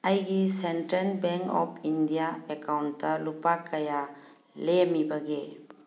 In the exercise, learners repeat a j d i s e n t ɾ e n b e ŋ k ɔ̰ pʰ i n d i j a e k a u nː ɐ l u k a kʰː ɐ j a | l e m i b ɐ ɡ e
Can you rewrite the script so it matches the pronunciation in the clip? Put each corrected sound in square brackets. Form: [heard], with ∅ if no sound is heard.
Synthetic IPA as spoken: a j [ɡ] i s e n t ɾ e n b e ŋ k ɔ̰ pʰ i n d i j a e k a [w] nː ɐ l u [p] a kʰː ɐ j a | l e m i b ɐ ɡ e